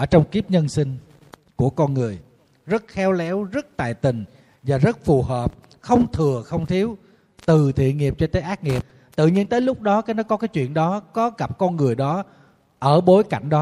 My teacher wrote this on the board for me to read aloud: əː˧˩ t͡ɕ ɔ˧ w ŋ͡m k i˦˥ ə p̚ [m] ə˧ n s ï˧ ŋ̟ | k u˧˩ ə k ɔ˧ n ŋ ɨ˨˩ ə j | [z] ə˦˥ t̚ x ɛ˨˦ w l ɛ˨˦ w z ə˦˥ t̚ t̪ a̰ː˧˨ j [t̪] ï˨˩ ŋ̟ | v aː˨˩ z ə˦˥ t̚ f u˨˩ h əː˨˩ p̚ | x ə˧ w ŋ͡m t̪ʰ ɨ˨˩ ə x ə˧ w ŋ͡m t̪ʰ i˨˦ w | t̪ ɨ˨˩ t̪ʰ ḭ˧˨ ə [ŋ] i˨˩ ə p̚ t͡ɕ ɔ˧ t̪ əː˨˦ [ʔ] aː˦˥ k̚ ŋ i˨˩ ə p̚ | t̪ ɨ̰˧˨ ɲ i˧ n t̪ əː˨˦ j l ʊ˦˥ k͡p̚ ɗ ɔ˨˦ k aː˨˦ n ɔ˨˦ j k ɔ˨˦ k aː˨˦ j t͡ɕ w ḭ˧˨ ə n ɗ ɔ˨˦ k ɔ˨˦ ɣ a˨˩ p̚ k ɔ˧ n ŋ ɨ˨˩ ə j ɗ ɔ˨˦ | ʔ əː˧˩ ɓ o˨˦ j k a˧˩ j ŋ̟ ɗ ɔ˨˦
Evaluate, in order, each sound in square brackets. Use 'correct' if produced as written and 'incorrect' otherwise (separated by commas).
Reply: incorrect, correct, correct, correct, correct